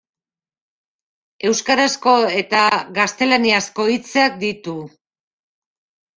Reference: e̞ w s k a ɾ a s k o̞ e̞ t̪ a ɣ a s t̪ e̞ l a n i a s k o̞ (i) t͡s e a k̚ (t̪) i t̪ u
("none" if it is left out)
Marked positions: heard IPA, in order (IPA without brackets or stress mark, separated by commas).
i, d̪